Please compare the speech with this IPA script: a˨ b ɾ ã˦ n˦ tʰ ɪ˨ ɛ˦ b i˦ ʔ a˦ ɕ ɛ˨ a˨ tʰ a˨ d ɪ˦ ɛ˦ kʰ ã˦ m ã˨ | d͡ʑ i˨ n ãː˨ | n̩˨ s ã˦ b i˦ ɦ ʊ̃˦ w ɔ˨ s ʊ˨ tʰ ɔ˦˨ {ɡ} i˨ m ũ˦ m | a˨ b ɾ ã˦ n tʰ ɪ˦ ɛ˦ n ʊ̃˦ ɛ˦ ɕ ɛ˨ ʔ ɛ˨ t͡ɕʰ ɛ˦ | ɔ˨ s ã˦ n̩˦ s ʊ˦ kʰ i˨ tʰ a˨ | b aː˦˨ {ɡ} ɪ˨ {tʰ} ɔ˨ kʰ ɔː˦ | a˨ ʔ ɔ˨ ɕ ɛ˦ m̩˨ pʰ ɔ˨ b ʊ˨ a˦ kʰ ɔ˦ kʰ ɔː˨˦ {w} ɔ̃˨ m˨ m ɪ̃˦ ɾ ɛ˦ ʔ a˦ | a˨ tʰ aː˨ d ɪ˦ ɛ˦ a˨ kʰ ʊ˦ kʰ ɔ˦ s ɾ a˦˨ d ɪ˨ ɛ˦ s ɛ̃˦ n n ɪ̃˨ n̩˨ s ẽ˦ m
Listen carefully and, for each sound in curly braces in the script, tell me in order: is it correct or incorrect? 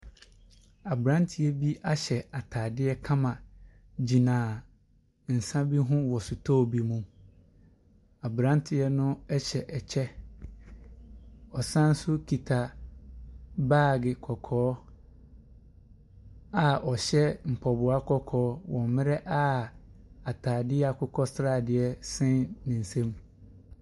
incorrect: b, correct, incorrect: kʰ, correct

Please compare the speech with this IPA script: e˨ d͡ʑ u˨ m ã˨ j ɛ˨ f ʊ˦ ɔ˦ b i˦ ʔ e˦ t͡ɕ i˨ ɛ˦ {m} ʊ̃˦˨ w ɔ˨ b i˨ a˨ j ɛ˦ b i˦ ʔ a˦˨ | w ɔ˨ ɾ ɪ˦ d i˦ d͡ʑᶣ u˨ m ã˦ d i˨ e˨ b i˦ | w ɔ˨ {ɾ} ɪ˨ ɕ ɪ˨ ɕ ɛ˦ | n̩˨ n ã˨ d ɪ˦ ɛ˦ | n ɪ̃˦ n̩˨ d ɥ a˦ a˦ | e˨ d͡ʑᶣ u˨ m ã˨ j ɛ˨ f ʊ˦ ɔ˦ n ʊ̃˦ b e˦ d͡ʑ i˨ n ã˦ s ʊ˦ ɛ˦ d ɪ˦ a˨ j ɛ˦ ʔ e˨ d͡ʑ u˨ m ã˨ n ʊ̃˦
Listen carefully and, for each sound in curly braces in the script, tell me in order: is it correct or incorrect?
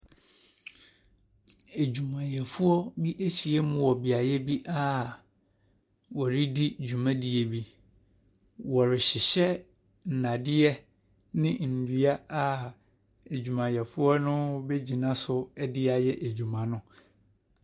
correct, correct

